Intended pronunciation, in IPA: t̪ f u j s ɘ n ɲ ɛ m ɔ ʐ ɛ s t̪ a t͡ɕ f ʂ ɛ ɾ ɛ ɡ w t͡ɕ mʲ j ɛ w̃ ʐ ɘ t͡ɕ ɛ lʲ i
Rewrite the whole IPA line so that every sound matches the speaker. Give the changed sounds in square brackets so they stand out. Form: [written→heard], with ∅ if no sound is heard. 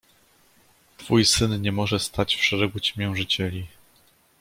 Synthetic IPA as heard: t̪ f u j s ɘ n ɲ ɛ m ɔ ʐ ɛ s t̪ a t͡ɕ f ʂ ɛ ɾ ɛ ɡ [w→u] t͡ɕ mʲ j ɛ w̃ ʐ ɘ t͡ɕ ɛ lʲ i